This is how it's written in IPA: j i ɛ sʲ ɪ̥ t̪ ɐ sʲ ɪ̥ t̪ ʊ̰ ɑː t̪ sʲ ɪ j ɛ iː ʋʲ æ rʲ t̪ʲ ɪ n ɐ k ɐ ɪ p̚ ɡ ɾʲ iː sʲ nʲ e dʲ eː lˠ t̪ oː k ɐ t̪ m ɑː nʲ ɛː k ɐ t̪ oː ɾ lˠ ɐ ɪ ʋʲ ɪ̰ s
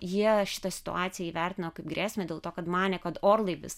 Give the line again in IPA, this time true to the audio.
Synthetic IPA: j i ɛ ʃʲ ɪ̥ t̪ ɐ sʲ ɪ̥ t̪ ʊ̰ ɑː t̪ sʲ ɪ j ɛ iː ʋʲ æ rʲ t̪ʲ ɪ n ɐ k ɐ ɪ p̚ ɡ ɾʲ æː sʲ mʲ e dʲ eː lˠ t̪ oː k ɐ t̪ m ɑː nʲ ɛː k ɐ t̪ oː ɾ lˠ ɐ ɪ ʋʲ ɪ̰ s